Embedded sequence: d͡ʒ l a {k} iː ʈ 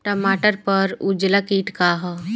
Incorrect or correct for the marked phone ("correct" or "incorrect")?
correct